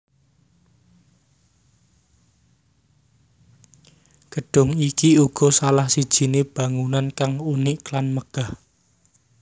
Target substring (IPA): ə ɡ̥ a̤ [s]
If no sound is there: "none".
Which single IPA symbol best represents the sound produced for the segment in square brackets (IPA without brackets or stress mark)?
h